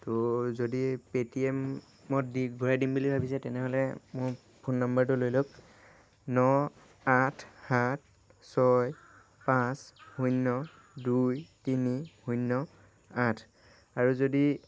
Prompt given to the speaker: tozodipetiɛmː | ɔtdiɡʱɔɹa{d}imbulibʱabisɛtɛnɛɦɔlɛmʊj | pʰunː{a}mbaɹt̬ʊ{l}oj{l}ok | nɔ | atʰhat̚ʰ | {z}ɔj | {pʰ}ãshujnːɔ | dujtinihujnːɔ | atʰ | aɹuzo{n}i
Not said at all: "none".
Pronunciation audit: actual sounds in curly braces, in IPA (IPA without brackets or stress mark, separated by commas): d, a, l, l, s, p, d